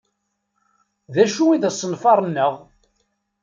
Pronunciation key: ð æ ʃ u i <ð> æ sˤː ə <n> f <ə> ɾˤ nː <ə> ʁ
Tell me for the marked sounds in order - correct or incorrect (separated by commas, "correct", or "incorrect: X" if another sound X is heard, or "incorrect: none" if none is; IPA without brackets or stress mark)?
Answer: correct, correct, incorrect: ɑ, correct